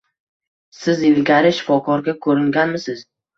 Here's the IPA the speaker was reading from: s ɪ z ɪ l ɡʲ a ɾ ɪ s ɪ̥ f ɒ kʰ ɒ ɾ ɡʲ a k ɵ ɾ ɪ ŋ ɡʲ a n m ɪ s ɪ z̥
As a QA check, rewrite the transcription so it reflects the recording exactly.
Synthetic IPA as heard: s ɪ z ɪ l ɡʲ a ɾ ɪ ʃ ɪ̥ f ɒ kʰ ɒ ɾ ɡʲ a kʰ ɵ ɾ ɪ ŋ ɡʲ a n m ɪ s ɪ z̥